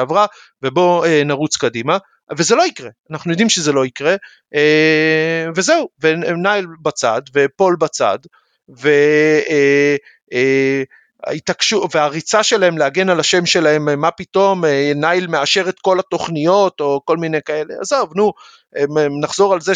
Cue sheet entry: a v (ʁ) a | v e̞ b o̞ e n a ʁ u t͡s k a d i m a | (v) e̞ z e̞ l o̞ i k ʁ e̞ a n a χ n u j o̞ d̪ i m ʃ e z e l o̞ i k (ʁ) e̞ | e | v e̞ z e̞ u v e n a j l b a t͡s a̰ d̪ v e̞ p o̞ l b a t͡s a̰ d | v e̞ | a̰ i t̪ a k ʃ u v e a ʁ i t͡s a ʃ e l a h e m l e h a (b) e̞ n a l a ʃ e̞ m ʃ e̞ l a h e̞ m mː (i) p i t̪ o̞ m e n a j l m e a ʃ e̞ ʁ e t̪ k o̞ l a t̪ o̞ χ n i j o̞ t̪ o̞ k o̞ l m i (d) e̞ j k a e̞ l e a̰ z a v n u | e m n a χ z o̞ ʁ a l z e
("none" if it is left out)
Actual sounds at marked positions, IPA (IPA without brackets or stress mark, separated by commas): ʁ, v, ʁ, ɡ, a, n